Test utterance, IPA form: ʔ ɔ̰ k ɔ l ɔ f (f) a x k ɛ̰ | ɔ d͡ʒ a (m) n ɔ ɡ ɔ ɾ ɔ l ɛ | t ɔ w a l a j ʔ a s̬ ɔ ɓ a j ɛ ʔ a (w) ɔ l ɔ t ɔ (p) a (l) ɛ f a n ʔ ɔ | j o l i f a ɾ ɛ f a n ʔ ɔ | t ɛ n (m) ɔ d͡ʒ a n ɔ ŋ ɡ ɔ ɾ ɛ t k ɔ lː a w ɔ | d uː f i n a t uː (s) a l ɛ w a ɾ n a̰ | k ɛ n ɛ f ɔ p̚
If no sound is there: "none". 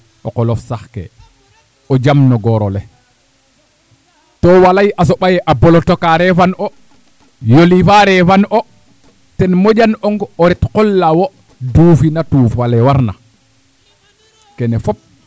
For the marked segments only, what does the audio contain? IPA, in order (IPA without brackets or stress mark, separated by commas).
s, m, b, k, ɾ, m, f